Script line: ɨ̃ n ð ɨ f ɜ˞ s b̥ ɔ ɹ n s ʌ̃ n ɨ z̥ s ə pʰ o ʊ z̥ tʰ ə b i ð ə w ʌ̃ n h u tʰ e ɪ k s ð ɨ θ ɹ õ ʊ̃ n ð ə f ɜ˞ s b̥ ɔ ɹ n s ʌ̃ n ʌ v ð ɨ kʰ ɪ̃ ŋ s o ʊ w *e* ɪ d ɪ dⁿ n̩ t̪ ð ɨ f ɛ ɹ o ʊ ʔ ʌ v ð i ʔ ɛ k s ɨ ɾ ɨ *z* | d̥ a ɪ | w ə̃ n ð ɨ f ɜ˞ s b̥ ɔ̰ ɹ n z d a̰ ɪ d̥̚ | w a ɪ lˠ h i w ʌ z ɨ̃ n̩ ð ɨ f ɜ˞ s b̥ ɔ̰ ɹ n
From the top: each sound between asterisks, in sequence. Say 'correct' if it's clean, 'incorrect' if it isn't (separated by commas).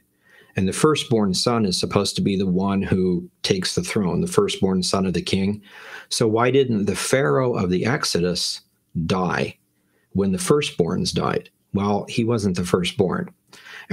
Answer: incorrect, incorrect